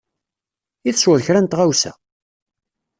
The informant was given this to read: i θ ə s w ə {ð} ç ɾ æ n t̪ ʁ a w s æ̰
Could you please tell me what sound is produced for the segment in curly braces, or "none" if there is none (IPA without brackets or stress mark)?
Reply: ð